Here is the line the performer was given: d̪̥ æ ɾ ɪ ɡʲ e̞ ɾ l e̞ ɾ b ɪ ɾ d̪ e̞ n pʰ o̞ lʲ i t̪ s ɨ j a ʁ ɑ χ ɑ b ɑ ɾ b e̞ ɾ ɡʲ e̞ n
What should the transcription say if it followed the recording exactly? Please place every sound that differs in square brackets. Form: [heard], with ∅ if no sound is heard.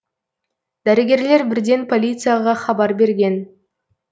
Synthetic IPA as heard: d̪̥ æ ɾ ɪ ɡʲ e̞ ɾ l e̞ ɾ b ɪ ɾ d̪ e̞ n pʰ o̞ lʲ i t̪ s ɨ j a ʁ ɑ χ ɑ b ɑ ɾ b e̞ ɾ ɡʲ e̞ n